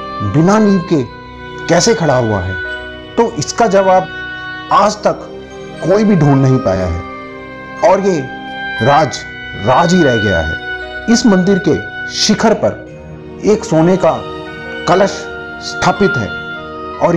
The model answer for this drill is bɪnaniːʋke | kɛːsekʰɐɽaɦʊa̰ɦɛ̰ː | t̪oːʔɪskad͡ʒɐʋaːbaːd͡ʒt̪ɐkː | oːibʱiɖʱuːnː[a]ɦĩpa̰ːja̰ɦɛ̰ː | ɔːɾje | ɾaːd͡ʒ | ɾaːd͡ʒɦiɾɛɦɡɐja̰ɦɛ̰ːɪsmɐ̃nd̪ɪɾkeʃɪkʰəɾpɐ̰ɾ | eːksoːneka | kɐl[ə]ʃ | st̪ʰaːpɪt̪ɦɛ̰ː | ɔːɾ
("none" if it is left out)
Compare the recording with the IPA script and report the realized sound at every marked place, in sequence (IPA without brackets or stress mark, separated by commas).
ɐ, ə